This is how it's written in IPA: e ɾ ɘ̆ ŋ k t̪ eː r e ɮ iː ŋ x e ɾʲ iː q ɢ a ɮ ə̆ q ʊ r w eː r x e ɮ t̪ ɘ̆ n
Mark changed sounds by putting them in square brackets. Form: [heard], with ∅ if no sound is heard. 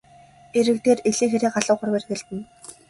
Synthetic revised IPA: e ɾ ɘ̆ [∅] k t̪ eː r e ɮ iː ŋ x e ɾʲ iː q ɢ a ɮ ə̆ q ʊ r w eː r x e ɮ t̪ ɘ̆ n